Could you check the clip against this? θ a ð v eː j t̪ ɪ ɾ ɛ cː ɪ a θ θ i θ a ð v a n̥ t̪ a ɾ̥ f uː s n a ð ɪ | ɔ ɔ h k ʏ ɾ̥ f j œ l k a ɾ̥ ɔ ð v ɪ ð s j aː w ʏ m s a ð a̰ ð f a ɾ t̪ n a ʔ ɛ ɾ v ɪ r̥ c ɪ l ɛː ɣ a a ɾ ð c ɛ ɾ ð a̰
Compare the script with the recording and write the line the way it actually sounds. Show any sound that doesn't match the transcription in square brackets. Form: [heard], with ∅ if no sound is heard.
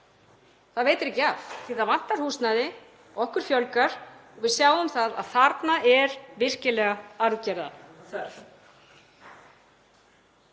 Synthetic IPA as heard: θ a ð v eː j t̪ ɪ ɾ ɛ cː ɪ a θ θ i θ a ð v a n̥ t̪ a ɾ̥ [h] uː s n a ð ɪ | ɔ ɔ h k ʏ ɾ̥ f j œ l k a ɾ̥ ɔ [ɣ] v ɪ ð s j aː w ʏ m [θ] a ð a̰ ð [θ] a ɾ t̪ n a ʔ ɛ ɾ v ɪ r̥ c ɪ l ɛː ɣ a a ɾ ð c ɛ ɾ ð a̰

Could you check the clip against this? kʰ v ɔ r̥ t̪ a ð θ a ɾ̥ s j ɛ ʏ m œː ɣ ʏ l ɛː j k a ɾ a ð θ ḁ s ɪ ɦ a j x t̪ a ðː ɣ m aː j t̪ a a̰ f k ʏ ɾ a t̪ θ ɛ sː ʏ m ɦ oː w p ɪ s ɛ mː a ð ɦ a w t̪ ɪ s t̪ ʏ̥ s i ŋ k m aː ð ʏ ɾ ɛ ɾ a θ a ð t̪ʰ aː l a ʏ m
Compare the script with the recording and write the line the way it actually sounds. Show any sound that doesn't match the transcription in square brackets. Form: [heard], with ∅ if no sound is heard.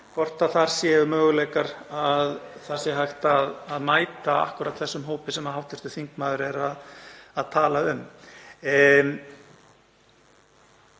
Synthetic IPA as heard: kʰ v ɔ r̥ t̪ a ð θ a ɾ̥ s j ɛ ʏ m œː ɣ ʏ l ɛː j k a ɾ a ð θ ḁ s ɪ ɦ a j x t̪ a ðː [ð] m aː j t̪ a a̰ [h] k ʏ ɾ a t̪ θ ɛ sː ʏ m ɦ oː w p ɪ s ɛ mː a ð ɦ a w t̪ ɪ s t̪ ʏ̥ [θ] i ŋ k m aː ð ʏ ɾ ɛ ɾ a [ð] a ð t̪ʰ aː l a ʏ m

